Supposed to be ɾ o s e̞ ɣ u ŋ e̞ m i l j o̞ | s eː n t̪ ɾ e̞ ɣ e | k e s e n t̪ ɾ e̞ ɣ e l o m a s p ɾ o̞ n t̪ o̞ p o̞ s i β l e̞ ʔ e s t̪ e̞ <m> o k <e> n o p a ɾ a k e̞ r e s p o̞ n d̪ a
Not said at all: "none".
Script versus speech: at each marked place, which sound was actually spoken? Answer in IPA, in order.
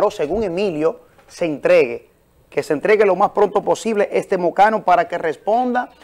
m, a

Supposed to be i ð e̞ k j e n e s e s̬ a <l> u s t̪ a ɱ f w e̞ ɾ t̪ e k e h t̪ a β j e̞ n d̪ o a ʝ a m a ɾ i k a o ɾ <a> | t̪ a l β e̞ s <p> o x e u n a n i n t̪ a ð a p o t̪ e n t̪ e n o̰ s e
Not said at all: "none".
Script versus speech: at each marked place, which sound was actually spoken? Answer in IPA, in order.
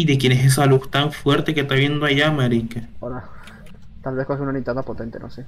l, a, k

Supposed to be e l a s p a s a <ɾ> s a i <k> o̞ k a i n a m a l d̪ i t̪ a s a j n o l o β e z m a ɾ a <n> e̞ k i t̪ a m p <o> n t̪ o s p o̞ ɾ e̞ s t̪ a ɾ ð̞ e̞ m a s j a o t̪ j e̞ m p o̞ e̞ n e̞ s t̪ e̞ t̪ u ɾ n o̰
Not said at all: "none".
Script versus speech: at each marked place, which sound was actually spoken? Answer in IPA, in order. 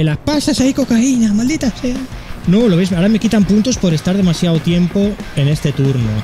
none, k, m, u

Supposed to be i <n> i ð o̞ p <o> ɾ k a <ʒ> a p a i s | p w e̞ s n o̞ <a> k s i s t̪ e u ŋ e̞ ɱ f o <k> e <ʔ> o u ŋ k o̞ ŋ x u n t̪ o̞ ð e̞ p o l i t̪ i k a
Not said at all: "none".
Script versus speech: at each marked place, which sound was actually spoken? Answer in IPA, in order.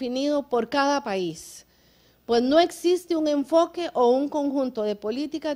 n, o, ð, e, k, ʔ

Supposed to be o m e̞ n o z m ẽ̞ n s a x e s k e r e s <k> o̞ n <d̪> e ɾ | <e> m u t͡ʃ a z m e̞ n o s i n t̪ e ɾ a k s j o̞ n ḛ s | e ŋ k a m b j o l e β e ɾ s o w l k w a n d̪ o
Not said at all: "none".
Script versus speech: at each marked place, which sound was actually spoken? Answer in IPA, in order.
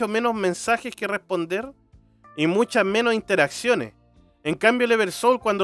p, d̪, i

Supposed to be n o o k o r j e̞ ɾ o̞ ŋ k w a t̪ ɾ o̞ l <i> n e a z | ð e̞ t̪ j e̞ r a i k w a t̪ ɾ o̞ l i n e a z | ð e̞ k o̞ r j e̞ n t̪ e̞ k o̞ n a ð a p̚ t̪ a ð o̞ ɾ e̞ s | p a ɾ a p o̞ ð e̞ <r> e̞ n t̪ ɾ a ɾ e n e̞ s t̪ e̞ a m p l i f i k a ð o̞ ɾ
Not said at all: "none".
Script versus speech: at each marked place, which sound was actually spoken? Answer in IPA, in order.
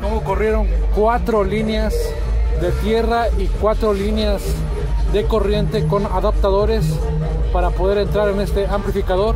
i, ɾ

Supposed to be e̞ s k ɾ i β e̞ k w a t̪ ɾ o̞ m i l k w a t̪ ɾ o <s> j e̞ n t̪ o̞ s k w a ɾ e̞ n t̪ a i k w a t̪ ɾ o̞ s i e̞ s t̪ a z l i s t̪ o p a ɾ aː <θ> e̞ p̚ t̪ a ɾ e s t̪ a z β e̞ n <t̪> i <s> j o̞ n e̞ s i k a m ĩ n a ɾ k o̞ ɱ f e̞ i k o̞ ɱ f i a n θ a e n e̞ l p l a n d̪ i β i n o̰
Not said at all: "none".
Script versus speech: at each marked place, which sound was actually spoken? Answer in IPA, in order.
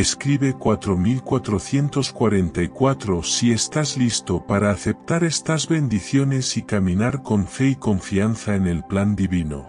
θ, θ, d̪, θ

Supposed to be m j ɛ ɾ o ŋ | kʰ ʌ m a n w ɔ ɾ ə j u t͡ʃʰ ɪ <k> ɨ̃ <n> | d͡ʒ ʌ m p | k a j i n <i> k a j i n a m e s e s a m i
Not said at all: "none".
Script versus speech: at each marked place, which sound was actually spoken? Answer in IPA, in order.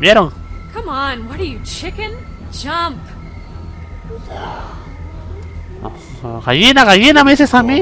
k, n, a

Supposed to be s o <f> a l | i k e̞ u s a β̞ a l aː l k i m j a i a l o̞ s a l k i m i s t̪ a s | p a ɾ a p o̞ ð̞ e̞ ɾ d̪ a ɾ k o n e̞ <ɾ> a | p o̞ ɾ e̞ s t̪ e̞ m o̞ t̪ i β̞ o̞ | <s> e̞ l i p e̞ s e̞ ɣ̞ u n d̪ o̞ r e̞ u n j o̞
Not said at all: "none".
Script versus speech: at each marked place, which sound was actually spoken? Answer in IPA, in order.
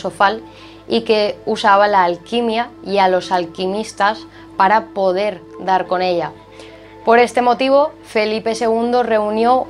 f, ʎ, f

